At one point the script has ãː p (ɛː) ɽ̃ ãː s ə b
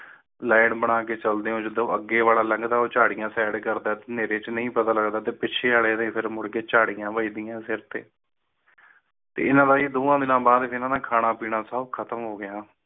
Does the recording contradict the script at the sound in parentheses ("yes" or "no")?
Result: yes